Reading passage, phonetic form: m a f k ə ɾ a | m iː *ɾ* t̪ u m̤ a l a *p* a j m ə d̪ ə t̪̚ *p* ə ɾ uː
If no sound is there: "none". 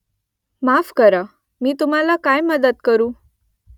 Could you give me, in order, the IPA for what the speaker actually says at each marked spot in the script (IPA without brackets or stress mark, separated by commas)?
none, k, k